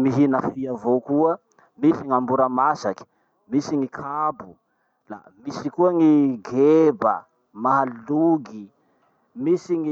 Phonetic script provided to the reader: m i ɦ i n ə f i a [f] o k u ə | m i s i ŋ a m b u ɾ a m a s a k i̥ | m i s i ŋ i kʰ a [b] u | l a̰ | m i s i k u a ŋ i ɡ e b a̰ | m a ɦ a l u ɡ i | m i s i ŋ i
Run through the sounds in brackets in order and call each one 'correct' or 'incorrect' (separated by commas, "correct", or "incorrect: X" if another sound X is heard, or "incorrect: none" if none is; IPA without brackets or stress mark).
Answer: incorrect: v, correct